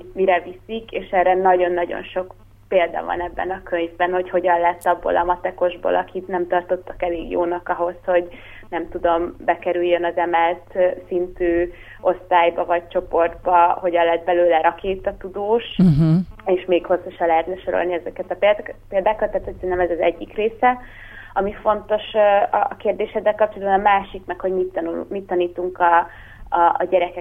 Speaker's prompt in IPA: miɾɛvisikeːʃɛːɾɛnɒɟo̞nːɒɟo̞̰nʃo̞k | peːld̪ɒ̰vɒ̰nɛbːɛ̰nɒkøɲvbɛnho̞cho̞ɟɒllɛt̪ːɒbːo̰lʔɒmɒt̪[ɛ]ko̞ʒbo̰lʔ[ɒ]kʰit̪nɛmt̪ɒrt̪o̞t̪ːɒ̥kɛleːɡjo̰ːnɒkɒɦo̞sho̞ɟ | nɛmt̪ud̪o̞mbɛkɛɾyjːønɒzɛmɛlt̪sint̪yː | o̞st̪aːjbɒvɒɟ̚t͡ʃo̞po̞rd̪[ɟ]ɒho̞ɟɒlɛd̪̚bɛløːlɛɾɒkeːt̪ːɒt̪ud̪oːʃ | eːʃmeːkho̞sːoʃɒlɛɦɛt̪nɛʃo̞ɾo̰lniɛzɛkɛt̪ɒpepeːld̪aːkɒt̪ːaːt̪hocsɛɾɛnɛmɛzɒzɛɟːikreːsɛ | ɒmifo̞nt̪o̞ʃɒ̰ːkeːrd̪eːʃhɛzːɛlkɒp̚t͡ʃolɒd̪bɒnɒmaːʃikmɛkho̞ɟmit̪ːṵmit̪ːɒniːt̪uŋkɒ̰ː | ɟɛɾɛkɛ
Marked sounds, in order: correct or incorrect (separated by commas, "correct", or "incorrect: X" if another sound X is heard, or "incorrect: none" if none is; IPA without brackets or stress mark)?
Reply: correct, correct, incorrect: b